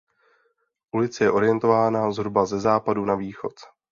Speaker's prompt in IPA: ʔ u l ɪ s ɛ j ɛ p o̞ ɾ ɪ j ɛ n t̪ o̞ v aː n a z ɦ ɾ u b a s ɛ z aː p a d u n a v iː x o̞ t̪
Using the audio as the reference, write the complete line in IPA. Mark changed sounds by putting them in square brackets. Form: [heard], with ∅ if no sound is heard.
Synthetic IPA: ʔ u l ɪ [t͡s] ɛ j ɛ [ʔ] o̞ ɾ ɪ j ɛ n t̪ o̞ v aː n a z ɦ ɾ u b a [z] ɛ z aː p a d u n a v iː x o̞ t̪